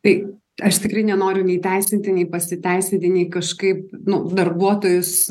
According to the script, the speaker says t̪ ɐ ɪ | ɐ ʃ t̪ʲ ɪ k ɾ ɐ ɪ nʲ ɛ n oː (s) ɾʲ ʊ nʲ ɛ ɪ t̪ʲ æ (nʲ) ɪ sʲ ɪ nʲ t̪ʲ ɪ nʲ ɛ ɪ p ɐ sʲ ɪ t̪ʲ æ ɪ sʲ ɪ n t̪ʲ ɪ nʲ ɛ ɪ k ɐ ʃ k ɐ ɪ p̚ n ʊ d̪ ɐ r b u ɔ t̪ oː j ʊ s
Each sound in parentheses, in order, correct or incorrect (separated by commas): incorrect, incorrect